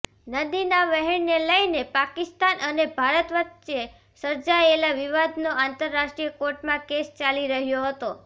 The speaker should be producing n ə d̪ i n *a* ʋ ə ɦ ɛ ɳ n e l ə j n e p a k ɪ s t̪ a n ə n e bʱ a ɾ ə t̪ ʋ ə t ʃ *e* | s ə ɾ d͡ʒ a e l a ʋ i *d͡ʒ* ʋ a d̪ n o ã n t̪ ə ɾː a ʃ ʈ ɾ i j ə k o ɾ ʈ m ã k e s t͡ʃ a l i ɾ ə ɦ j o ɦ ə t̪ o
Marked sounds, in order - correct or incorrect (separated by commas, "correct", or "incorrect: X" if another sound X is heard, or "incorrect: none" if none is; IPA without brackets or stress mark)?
correct, correct, incorrect: none